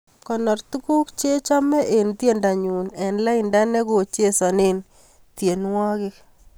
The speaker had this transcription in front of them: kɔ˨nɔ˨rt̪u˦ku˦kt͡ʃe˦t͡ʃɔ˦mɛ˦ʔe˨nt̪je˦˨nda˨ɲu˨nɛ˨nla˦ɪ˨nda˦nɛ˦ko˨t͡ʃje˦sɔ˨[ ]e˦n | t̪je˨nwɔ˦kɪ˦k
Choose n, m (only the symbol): n